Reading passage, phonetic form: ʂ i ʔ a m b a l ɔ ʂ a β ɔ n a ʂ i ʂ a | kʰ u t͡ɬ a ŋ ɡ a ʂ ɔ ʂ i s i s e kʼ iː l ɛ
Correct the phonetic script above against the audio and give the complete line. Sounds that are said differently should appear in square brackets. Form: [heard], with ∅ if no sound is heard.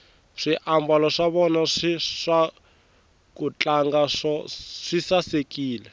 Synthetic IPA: ʂ i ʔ a m b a l ɔ ʂ a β ɔ n a ʂ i ʂ a | [k] u t͡ɬ a ŋ ɡ a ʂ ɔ ʂ i s [a] s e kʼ iː l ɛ